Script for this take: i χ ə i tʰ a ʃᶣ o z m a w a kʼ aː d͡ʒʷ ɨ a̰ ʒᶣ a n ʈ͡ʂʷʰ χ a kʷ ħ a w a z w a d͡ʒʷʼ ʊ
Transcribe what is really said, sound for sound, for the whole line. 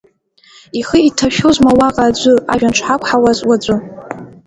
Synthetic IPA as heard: i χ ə i tʰ a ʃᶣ o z m a w a qʼ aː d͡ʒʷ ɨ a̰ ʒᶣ a n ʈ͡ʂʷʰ ħ a kʷ ħ a w a z w a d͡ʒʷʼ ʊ